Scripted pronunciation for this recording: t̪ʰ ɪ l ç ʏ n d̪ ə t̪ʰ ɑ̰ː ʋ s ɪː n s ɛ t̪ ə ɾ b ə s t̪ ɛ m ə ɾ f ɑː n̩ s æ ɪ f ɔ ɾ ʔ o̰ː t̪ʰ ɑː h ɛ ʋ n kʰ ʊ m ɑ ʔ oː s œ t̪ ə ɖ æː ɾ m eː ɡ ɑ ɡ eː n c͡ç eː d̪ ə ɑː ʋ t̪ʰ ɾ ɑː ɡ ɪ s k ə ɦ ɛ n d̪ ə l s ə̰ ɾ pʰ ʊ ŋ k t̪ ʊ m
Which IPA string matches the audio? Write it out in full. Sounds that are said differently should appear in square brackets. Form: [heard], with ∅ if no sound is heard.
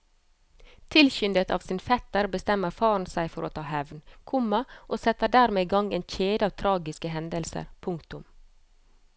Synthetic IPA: t̪ʰ ɪ l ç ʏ n d̪ ə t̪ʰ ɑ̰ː ʋ s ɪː n [f] ɛ t̪ ə ɾ b ə s t̪ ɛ m ə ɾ f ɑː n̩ s æ ɪ f ɔ ɾ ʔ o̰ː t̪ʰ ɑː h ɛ ʋ n kʰ ʊ m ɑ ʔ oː s [ɛ] t̪ ə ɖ æː ɾ m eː ɡ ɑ [ŋ] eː n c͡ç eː d̪ ə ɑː ʋ t̪ʰ ɾ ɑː ɡ ɪ s k ə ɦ ɛ n d̪ ə l s ə̰ ɾ pʰ ʊ ŋ k t̪ ʊ m